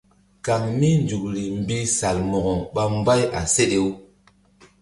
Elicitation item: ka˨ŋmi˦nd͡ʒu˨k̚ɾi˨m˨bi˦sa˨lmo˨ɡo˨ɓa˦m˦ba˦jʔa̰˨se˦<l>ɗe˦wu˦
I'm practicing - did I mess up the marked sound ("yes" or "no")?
yes